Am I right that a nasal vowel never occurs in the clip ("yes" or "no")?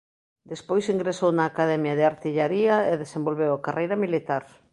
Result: yes